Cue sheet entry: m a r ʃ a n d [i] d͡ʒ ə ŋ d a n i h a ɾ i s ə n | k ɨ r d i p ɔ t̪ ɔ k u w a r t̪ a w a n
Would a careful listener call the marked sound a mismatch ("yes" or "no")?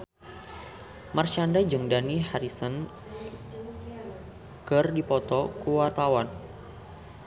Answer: yes